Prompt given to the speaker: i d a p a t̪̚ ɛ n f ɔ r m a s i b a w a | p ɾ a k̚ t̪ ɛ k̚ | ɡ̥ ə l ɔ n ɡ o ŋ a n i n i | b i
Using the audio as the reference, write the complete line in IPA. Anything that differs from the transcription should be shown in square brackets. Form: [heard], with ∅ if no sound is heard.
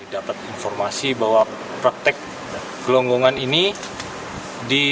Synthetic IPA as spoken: i d a p a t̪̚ [i] n f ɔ r m a s i b a w a | p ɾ a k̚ t̪ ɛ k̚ | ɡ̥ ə l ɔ [ŋ] ɡ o ŋ a n i n i | [d] i